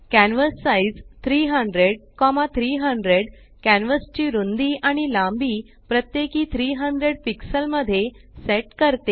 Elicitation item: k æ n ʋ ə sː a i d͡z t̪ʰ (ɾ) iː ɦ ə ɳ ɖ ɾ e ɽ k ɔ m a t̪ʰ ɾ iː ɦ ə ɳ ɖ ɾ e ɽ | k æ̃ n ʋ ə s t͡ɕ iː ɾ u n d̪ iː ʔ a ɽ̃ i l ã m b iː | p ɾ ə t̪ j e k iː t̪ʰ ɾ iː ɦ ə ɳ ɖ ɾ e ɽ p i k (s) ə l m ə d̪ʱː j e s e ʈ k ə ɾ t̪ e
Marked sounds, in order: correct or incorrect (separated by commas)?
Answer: correct, correct